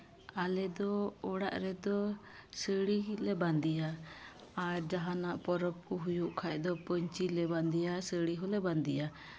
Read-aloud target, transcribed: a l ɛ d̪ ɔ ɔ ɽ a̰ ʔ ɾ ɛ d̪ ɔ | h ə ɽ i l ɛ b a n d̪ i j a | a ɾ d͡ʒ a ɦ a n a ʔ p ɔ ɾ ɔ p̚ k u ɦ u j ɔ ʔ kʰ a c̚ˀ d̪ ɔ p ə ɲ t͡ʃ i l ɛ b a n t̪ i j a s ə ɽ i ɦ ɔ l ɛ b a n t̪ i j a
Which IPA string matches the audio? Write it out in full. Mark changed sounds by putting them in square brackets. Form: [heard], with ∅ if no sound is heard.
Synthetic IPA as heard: a l ɛ d̪ ɔ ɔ ɽ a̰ ʔ ɾ ɛ d̪ ɔ | [s] ə ɽ i l ɛ b a n d̪ i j a | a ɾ d͡ʒ a ɦ a n a ʔ p ɔ ɾ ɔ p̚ k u ɦ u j [u] ʔ kʰ a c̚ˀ d̪ ɔ p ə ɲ t͡ʃ i l ɛ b a n [d̪] i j a s ə ɽ i ɦ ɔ l ɛ b a n [d̪] i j a